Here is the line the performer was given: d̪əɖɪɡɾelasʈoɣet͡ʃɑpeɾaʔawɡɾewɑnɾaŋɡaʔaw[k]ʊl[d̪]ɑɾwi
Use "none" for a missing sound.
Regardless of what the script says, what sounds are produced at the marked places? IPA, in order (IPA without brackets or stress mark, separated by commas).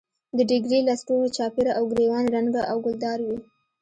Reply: ɡ, d̪